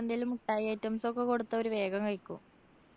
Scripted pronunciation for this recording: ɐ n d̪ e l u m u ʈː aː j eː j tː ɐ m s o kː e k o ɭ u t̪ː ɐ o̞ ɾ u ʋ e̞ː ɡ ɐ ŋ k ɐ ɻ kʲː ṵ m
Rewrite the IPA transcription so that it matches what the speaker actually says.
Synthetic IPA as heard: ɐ n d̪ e l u m u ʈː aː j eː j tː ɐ m s o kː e k o ɽ u t̪ː ɐ o̞ ɾ u ʋ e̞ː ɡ ɐ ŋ k ɐ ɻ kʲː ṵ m